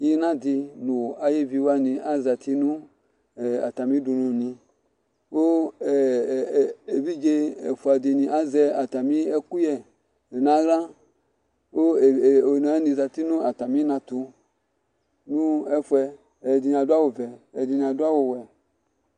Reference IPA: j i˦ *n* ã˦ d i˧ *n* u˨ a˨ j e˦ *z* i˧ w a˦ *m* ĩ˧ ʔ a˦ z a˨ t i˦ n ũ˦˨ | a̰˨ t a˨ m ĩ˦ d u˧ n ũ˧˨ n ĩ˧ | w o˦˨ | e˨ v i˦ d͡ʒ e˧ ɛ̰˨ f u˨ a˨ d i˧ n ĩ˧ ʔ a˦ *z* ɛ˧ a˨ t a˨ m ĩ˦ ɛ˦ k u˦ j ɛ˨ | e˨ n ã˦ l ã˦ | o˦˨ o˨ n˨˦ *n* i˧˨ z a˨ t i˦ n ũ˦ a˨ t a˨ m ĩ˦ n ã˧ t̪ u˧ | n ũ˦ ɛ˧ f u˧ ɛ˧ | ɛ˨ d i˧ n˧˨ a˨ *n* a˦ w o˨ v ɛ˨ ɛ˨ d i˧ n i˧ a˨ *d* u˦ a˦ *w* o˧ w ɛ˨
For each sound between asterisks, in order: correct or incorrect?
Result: correct, correct, incorrect, incorrect, correct, correct, incorrect, correct, correct

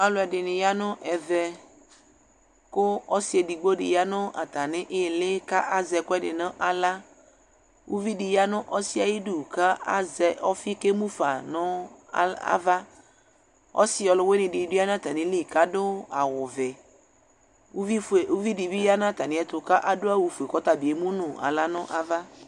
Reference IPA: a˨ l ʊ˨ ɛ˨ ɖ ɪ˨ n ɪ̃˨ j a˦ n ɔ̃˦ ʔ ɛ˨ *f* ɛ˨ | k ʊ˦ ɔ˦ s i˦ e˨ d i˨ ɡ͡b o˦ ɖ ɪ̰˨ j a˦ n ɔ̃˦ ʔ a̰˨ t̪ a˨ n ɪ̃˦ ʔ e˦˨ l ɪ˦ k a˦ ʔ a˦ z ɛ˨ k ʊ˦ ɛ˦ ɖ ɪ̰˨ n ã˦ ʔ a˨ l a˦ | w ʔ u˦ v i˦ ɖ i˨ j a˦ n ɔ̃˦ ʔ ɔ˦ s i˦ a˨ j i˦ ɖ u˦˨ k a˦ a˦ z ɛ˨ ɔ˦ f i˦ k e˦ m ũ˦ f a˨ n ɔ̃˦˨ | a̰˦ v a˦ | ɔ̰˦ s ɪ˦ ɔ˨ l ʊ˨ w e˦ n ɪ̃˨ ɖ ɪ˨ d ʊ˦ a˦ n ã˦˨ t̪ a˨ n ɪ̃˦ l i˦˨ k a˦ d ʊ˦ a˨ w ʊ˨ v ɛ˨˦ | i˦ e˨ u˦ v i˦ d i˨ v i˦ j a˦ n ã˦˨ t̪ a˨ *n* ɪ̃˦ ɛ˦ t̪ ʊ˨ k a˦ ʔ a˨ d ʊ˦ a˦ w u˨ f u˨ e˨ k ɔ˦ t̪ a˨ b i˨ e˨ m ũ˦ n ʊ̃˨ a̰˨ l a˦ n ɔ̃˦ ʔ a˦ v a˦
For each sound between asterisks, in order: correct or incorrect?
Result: incorrect, correct

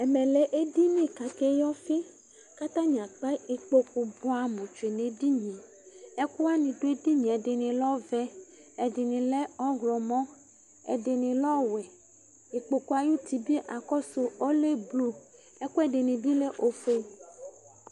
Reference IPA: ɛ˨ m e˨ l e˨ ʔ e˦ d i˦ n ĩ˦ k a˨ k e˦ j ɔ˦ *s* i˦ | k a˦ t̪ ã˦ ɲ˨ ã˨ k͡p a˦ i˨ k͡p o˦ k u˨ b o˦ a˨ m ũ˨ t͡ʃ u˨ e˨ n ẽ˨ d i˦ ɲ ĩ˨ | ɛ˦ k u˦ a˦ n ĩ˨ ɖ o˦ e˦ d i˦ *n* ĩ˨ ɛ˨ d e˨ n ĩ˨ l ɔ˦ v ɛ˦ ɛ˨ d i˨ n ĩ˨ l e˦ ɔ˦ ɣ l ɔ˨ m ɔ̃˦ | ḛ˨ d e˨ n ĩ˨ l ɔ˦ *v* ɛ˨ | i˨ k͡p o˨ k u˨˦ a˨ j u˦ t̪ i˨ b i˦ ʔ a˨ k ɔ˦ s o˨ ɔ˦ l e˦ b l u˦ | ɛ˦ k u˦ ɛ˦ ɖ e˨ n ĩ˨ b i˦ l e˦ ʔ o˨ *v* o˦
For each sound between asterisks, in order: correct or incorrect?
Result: incorrect, incorrect, incorrect, incorrect

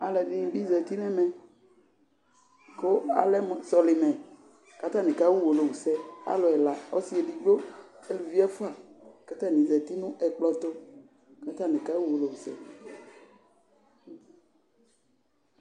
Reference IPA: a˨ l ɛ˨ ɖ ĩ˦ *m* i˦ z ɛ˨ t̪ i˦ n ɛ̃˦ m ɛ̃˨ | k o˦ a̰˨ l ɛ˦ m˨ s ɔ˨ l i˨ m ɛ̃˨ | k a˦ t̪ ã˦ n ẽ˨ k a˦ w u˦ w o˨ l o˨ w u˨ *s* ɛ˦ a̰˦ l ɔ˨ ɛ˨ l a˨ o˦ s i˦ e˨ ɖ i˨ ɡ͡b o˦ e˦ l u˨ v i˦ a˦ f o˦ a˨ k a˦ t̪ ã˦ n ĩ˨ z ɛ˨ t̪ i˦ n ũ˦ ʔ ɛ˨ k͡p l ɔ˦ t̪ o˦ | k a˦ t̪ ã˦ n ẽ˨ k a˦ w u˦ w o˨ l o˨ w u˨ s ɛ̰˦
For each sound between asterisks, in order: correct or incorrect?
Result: incorrect, correct

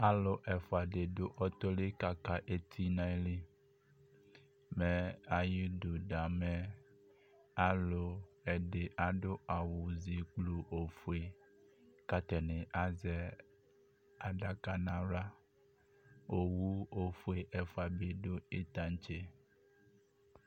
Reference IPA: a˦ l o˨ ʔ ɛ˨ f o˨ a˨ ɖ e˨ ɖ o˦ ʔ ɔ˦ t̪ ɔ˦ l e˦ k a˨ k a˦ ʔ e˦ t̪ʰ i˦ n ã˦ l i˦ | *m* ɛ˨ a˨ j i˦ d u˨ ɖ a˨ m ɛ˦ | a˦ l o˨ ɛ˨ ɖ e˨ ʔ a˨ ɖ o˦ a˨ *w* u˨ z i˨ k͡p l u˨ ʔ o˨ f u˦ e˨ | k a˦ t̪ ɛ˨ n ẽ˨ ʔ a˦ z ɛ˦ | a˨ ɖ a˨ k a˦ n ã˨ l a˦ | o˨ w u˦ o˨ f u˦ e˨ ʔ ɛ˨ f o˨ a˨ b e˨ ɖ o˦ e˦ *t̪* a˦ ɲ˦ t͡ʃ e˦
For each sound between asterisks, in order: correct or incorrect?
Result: correct, correct, correct

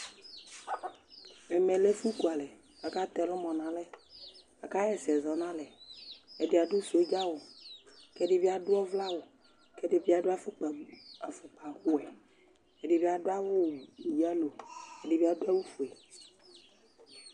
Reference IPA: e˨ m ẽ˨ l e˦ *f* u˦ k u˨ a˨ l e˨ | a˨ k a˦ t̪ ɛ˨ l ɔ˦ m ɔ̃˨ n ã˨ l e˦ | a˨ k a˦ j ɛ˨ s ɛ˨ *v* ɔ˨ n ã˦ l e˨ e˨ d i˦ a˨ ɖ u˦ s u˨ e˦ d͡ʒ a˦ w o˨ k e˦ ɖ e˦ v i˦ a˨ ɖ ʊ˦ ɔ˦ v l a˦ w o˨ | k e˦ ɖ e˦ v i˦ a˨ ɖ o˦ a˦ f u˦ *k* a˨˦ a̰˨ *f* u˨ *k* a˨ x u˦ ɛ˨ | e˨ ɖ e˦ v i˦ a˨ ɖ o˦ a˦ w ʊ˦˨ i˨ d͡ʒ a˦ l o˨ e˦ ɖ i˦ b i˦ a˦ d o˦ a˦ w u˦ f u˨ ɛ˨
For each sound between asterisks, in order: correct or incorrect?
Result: correct, incorrect, incorrect, correct, incorrect

